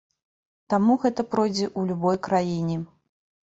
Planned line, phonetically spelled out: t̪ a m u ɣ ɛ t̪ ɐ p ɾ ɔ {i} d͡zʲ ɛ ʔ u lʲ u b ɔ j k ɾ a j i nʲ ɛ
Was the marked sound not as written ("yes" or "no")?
yes